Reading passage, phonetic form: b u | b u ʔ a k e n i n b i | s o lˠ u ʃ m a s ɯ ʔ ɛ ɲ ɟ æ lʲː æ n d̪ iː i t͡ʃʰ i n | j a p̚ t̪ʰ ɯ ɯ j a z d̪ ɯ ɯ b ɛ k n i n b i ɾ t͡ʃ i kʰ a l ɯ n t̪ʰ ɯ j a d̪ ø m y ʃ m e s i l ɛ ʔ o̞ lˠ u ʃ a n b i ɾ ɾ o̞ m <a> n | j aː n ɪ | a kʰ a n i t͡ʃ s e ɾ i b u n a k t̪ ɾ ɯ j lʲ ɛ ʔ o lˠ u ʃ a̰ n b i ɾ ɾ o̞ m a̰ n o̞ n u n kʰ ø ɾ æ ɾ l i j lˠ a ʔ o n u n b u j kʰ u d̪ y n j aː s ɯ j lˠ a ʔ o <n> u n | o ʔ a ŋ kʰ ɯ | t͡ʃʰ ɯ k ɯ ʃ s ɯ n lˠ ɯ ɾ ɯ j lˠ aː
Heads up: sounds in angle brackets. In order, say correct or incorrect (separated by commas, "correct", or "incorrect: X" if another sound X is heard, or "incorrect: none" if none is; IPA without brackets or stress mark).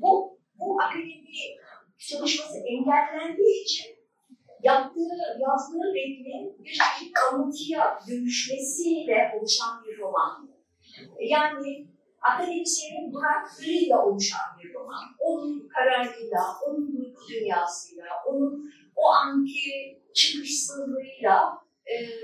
correct, correct